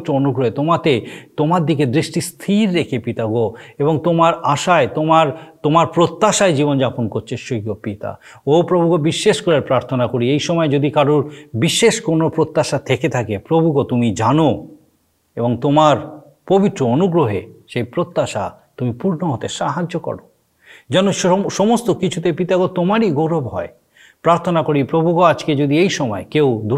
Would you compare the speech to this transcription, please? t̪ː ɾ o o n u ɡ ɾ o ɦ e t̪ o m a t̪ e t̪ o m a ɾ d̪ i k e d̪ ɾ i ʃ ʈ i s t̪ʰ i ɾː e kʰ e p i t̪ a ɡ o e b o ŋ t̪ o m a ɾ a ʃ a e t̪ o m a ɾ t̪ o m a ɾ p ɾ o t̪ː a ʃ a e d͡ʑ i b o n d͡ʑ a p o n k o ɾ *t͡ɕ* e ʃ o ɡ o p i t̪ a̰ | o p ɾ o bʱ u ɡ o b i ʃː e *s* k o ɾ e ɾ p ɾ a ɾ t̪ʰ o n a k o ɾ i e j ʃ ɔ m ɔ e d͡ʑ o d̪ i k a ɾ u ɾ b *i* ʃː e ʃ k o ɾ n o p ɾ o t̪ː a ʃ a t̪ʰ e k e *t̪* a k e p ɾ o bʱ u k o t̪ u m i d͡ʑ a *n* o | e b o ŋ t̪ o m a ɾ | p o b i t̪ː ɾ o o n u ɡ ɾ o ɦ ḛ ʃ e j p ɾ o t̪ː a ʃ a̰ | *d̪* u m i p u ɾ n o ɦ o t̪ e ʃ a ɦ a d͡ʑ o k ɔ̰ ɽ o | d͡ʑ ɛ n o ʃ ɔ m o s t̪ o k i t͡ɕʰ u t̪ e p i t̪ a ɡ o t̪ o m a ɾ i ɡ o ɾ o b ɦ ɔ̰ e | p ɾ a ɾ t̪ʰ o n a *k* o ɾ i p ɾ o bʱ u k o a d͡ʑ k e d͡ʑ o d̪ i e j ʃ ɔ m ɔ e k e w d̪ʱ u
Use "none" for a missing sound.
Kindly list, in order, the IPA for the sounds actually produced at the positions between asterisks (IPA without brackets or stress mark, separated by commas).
t͡ɕʰ, ʃ, i, t̪ʰ, n, t̪, k